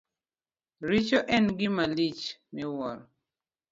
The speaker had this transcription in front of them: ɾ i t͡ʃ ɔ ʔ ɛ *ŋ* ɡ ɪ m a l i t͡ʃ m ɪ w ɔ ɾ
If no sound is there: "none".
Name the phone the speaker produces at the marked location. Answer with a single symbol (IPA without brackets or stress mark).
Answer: n